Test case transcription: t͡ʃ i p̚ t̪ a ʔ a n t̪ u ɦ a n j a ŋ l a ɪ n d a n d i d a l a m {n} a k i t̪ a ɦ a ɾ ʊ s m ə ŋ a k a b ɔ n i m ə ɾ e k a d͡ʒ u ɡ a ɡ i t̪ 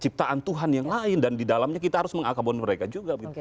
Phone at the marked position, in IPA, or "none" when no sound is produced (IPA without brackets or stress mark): ɲ